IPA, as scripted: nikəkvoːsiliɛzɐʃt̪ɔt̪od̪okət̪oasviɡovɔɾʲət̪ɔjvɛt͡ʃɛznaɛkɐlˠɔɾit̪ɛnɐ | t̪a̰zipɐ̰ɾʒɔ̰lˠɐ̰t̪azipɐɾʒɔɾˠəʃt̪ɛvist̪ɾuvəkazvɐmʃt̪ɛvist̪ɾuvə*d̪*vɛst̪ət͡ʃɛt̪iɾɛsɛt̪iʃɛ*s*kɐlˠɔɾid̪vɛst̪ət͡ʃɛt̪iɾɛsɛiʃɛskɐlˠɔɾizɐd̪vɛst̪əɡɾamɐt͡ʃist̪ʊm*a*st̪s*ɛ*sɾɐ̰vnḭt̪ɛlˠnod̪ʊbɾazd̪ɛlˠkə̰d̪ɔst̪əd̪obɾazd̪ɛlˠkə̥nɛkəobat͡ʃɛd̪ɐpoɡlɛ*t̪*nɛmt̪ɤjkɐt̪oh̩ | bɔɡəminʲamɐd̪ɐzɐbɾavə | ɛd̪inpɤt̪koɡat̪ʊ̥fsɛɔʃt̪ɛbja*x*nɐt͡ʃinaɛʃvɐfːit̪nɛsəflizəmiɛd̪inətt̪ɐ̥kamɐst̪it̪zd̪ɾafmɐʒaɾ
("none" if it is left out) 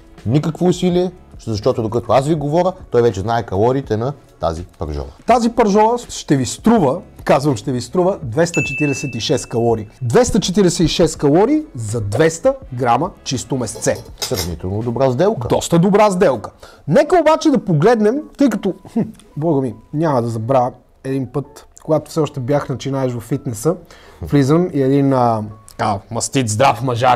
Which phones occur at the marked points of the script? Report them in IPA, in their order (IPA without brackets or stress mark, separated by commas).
d̪, s, ɛ, ɛ, d̪, x